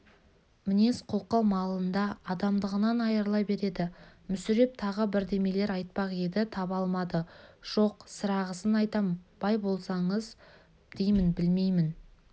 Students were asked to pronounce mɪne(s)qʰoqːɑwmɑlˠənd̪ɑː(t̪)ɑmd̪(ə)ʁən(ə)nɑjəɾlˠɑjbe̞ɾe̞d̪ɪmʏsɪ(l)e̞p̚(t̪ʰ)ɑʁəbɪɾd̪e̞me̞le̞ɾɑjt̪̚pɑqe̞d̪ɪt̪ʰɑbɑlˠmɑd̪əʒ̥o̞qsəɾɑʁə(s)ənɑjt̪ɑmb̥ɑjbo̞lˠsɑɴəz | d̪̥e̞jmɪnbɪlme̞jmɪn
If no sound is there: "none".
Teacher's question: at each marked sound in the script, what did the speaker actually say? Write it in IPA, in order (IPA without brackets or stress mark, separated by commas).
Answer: s, d̪, ə, ɑ, ɾ, t̪ʰ, s